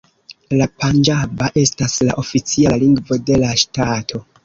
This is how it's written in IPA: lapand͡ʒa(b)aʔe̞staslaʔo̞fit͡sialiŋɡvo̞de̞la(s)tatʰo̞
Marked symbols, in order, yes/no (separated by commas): yes, no